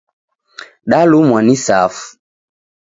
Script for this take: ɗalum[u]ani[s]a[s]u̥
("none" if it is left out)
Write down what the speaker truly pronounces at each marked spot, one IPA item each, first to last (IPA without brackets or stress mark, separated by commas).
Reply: w, s, f